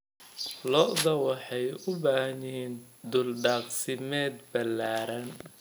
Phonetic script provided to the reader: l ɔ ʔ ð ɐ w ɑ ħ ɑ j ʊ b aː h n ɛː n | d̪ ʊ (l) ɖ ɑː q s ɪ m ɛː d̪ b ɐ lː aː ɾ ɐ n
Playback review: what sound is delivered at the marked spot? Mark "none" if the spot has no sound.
l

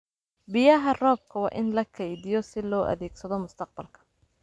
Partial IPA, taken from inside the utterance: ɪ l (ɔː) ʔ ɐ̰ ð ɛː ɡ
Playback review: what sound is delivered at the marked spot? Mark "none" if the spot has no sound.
ɔː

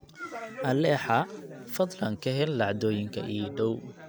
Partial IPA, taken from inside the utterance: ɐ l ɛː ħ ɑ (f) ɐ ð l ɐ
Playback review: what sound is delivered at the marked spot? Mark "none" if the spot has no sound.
f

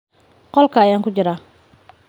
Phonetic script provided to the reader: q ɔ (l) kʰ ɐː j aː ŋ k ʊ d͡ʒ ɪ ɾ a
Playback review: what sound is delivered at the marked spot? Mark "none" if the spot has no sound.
l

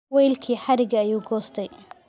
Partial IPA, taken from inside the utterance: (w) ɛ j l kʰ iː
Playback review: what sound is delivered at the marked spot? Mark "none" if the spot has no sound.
w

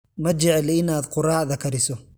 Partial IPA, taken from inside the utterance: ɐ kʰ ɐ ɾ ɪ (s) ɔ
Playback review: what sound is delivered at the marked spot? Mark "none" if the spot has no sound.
s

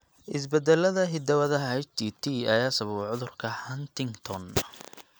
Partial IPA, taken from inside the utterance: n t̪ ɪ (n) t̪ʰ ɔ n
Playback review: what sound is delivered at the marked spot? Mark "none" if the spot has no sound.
ŋ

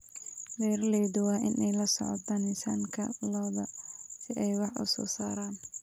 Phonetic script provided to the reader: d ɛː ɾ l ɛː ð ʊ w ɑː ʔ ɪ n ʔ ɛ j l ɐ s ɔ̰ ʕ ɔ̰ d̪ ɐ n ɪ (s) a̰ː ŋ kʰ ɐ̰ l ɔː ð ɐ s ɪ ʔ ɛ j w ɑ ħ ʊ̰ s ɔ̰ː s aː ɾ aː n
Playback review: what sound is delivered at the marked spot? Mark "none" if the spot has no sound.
s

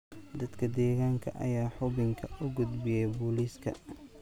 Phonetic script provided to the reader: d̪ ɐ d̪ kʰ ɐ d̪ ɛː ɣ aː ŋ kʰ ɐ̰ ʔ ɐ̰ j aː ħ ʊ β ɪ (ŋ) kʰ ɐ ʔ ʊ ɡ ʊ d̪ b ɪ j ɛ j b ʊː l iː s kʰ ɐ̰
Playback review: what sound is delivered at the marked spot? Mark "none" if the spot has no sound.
ŋ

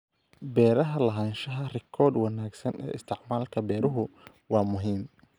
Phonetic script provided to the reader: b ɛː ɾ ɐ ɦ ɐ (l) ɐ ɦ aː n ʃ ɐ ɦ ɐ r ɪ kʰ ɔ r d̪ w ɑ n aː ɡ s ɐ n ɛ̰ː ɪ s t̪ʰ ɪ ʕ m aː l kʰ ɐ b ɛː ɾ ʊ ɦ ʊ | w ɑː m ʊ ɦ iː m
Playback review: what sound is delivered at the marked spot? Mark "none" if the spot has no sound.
l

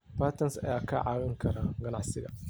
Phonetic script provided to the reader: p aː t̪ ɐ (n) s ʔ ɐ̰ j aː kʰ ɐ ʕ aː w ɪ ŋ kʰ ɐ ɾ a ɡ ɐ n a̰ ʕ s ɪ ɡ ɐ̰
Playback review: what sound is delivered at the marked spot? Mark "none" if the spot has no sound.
n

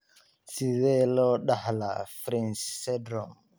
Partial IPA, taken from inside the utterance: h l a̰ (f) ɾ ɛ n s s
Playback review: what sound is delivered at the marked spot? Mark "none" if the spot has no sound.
f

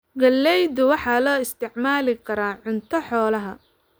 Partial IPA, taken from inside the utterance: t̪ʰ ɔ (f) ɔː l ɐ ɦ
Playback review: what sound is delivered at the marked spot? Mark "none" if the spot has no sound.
ħ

